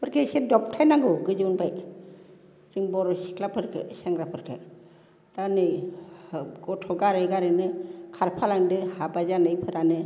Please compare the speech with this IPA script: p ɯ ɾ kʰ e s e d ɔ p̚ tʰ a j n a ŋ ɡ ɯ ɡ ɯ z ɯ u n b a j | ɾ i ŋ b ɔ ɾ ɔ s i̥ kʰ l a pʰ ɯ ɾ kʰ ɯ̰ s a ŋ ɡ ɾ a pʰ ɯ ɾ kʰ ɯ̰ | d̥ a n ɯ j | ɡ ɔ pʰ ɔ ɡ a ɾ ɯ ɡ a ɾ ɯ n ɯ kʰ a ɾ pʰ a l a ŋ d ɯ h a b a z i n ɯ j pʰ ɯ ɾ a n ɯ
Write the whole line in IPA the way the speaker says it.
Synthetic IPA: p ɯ ɾ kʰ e s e d ɔ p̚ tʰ a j n a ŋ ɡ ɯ ɡ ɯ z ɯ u n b a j | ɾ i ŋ b ɔ ɾ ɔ s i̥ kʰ l a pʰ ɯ ɾ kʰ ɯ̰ s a ŋ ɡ ɾ a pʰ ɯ ɾ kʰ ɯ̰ | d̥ a n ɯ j | ɡ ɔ tʰ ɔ ɡ a ɾ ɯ ɡ a ɾ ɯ n ɯ kʰ a ɾ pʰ a l a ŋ d ɯ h a b a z a n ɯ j pʰ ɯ ɾ a n ɯ